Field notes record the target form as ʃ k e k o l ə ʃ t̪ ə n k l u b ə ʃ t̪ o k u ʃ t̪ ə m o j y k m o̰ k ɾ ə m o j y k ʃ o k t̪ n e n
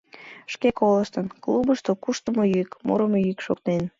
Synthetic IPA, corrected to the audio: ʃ k e k o l ə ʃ t̪ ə n k l u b ə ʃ t̪ o k u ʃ t̪ ə m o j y k m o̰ ɾ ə m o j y k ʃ o k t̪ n e n